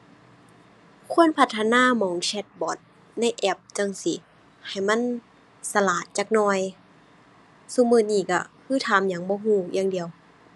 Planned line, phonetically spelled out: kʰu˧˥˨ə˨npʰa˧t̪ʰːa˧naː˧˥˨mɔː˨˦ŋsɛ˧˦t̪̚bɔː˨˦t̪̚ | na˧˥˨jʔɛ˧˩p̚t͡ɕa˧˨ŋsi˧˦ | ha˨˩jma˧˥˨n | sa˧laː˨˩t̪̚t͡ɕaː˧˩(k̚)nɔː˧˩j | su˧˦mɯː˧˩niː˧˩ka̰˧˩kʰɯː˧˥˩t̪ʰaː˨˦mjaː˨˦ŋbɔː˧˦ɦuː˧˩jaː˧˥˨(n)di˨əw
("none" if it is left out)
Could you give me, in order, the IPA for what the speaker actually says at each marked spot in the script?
k̚, ŋ

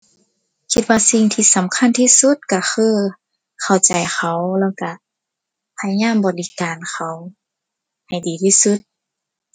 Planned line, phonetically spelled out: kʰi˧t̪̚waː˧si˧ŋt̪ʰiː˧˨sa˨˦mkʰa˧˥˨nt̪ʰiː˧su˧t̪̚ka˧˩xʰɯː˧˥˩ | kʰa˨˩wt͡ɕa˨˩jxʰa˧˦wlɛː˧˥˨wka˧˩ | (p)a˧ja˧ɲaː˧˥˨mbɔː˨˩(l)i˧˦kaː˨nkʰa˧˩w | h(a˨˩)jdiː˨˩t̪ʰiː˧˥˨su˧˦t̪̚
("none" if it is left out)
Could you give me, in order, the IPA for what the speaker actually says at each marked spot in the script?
pʰ, l, a˨˩

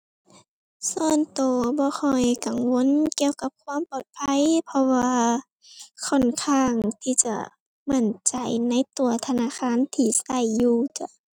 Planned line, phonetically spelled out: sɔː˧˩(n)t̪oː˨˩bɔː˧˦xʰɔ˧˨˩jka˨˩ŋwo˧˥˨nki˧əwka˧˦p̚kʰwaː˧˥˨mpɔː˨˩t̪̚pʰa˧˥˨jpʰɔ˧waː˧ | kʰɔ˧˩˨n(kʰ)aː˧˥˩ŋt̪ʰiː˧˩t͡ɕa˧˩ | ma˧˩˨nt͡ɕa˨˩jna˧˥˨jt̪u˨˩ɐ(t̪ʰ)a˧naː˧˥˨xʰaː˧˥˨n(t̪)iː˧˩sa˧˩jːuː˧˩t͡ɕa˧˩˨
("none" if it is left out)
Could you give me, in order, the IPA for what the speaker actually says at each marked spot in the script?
n, kʰ, t̪ʰ, t̪ʰ

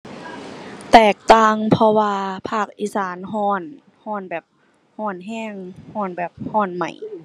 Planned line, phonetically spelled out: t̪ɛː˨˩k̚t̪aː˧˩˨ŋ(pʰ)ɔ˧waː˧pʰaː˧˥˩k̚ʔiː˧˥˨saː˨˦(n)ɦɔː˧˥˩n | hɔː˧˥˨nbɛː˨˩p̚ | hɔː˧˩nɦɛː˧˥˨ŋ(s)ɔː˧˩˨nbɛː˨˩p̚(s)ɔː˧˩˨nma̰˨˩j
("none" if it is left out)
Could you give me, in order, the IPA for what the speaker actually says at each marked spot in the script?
pʰ, n, h, h

